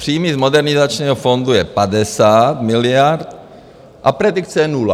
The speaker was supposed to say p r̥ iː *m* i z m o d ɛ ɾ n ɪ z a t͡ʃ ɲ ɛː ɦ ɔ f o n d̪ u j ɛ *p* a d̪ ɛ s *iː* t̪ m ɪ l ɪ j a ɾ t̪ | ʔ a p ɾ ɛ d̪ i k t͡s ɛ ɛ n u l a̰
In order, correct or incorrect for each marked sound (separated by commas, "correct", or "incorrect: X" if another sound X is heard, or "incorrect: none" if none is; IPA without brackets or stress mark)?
correct, correct, incorrect: aː